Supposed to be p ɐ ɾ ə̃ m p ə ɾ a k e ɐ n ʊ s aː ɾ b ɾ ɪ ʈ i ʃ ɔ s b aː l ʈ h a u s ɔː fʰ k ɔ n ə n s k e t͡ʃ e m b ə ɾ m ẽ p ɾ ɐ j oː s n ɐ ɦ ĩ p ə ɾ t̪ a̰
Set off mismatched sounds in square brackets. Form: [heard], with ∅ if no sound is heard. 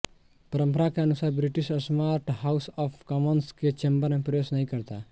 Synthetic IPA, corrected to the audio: p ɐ ɾ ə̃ m p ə ɾ a k e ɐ n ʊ s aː ɾ b ɾ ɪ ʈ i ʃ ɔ s [m] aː [ɾ] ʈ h a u s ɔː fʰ k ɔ [m] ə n s k e t͡ʃ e m b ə ɾ m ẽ p ɾ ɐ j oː s n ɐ ɦ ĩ [k] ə ɾ t̪ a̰